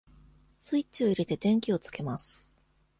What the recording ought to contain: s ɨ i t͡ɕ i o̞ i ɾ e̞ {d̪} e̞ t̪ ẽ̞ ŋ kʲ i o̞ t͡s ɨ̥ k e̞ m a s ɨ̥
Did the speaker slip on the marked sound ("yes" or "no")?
yes